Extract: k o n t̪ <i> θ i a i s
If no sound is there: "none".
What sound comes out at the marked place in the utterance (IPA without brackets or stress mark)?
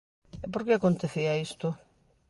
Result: e